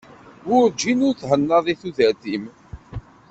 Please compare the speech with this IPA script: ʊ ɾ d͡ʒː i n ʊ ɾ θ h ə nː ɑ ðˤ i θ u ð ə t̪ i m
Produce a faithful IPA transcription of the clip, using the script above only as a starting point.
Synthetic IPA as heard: ʊ ɾ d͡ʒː i n ʊ ɾ θ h ə nː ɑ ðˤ i θ u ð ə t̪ i m